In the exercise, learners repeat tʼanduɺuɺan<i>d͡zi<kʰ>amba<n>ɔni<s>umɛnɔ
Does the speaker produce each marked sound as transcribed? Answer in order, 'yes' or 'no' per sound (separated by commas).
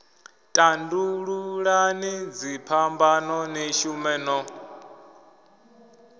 yes, no, yes, no